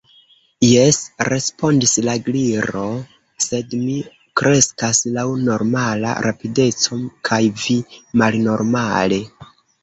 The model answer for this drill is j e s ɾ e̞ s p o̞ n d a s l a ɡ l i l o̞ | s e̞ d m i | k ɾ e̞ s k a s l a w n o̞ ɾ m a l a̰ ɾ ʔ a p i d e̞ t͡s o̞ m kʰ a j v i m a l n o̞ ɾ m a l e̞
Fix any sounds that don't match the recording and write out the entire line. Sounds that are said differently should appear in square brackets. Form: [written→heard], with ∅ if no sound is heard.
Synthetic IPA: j e s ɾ e̞ s p o̞ n d [a→i] s l a ɡ l i [l→ɾ] o̞ | s e̞ d m i | k ɾ e̞ s k a s l a w n o̞ ɾ m a l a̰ ɾ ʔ a p i d e̞ t͡s o̞ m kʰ a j v i m a l n o̞ ɾ m a l e̞